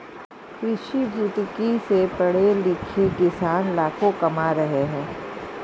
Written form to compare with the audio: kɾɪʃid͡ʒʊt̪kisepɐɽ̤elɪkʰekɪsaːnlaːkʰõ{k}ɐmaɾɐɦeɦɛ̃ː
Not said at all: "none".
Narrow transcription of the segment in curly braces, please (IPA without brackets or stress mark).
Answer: k